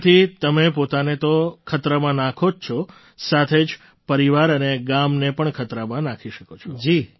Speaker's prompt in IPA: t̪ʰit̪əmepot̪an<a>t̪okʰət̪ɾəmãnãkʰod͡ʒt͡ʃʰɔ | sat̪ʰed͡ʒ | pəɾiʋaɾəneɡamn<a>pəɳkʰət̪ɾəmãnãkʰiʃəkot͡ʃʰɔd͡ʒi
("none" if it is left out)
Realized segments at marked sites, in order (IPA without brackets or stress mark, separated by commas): e, e